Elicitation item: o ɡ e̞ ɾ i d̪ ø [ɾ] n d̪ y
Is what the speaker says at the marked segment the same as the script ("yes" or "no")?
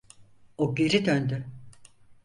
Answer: no